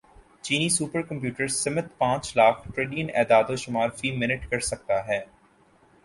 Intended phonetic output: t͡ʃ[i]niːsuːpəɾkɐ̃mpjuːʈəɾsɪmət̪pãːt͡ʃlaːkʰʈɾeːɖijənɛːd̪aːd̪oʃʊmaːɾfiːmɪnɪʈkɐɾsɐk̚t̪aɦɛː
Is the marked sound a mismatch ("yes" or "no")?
yes